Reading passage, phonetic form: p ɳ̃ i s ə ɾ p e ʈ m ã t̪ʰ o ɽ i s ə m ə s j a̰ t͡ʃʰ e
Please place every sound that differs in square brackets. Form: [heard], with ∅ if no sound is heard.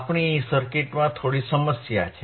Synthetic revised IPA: p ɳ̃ i s ə ɾ [k] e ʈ m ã t̪ʰ o ɽ i s ə m ə s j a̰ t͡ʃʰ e